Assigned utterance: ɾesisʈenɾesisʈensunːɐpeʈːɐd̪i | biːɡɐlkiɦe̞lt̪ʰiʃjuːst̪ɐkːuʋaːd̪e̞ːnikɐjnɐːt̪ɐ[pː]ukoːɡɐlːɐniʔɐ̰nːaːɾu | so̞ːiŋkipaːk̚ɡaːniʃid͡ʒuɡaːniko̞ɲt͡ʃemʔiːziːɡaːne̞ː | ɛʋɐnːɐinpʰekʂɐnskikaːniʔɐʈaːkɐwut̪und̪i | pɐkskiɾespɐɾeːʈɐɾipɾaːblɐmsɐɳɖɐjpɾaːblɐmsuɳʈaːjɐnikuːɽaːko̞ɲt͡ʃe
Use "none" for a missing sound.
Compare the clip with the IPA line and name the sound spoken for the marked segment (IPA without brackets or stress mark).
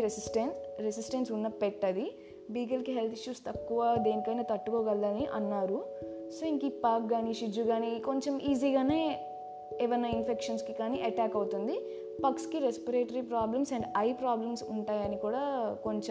ʈː